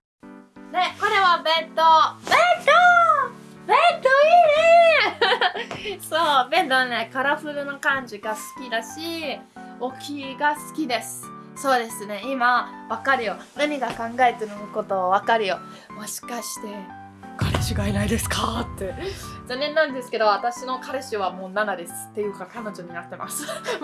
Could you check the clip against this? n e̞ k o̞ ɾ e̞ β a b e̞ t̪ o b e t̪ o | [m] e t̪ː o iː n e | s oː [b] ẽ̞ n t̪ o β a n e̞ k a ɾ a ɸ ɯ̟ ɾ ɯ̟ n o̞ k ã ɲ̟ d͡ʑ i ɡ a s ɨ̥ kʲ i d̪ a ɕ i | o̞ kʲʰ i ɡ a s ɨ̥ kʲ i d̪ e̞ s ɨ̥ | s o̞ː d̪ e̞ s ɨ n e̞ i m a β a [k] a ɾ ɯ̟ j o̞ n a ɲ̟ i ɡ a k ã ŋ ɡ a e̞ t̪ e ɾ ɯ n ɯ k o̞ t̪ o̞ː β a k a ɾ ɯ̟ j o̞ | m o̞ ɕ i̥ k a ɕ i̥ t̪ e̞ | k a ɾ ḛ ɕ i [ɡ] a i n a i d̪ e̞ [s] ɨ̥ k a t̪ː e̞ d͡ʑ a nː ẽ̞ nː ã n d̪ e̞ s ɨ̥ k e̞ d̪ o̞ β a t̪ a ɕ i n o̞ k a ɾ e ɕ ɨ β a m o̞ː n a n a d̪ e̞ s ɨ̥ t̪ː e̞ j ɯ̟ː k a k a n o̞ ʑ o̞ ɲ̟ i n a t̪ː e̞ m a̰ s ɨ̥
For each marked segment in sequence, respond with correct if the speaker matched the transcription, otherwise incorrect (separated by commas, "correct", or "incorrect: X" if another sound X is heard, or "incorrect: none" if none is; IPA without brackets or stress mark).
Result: incorrect: b, correct, correct, correct, correct